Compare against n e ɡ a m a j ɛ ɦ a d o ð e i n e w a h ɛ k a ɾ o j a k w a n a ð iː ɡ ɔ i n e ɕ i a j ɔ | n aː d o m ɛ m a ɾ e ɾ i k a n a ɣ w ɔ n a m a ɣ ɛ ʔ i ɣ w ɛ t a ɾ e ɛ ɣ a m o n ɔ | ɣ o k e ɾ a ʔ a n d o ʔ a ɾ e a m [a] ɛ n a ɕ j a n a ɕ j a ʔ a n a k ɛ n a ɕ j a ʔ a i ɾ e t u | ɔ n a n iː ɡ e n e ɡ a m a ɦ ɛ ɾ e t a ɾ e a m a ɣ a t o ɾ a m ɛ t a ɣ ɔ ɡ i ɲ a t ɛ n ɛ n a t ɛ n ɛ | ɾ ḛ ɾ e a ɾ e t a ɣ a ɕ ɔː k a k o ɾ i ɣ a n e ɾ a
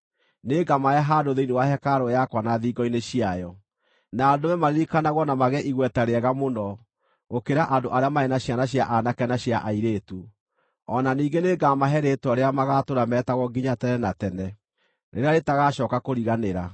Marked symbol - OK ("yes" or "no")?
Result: yes